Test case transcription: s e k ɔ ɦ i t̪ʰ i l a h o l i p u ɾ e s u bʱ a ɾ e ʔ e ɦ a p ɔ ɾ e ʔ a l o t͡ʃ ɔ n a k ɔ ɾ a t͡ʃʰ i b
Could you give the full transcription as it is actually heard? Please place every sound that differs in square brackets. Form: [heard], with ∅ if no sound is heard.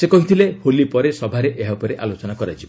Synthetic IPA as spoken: s e k ɔ ɦ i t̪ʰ i l [e] h o l i p [ɔ] ɾ e s [ɔ] bʱ a ɾ e ʔ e ɦ a p ɔ ɾ e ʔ a l o t͡ʃ ɔ n a k ɔ ɾ a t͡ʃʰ i b